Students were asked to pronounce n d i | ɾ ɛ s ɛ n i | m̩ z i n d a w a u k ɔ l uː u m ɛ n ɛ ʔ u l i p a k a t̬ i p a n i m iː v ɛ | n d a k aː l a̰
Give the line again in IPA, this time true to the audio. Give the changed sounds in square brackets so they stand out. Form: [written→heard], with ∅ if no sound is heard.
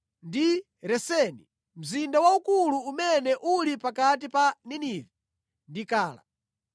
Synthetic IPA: n d i | ɾ ɛ s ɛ n i | m̩ z i n d a w a u k [ɔ→u] l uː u m ɛ n ɛ ʔ u l i p a k a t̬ i p a n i [m→n] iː v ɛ | n d [a→i] k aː l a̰